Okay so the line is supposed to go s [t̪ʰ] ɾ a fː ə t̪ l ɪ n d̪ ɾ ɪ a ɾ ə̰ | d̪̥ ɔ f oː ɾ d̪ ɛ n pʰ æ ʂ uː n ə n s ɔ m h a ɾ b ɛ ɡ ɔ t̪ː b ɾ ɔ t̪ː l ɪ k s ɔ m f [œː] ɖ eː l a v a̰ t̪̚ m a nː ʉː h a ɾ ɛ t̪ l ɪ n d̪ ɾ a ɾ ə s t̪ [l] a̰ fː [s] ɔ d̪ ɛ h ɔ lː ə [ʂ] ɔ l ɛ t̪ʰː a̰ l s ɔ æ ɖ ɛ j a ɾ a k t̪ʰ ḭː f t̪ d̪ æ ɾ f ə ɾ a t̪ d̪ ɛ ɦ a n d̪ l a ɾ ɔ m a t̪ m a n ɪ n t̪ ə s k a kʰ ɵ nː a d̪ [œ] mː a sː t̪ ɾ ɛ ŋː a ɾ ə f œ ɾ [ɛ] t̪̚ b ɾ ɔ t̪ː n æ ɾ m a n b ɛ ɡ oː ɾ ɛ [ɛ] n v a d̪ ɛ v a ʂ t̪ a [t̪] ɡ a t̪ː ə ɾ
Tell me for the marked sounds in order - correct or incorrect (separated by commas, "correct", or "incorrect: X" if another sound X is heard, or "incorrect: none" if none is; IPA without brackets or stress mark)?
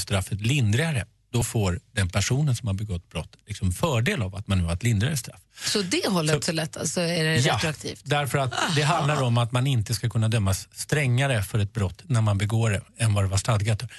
incorrect: t̪, correct, incorrect: ɾ, correct, incorrect: s, correct, correct, correct, incorrect: d̪